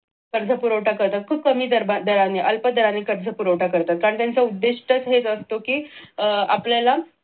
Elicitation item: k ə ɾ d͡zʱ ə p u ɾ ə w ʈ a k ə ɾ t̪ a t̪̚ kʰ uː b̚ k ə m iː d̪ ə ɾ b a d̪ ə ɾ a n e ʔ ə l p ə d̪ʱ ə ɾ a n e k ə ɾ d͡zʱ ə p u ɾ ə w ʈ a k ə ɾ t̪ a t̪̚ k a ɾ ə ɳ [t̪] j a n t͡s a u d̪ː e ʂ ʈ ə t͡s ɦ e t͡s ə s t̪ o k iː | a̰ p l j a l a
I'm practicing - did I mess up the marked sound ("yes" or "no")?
no